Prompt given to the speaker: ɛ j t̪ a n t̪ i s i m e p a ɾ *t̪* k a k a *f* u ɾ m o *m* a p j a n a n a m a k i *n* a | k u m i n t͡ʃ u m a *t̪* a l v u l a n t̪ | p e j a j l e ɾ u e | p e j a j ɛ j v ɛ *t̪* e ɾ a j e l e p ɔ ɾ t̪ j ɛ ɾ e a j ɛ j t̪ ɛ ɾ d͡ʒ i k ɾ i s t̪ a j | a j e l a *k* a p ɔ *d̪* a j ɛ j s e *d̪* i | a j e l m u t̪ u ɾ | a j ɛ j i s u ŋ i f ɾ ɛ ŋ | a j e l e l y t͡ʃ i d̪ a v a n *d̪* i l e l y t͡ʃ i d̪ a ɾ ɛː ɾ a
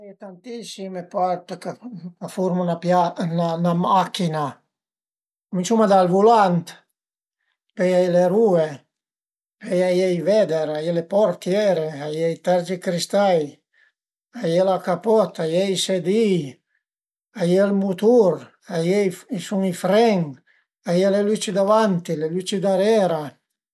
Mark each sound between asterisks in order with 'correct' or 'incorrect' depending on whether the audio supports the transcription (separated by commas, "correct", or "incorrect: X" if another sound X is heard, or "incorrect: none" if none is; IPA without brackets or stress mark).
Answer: correct, correct, incorrect: n, correct, incorrect: d̪, incorrect: d̪, correct, incorrect: t̪, correct, incorrect: t̪